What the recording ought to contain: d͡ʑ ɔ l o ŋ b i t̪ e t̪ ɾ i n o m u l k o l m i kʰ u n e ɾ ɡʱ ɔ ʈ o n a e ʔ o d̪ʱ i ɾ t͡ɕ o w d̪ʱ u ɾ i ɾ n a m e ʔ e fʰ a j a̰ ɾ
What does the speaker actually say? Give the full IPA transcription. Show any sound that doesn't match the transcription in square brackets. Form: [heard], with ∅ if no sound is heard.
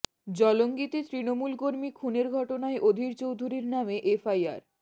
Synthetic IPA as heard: d͡ʑ ɔ l o ŋ [ɡ] i t̪ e t̪ ɾ i n o m u l k o [ɾ] m i kʰ u n e ɾ ɡʱ ɔ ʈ o n a e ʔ o d̪ʱ i ɾ t͡ɕ o w d̪ʱ u ɾ i ɾ n a m e ʔ e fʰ a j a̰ ɾ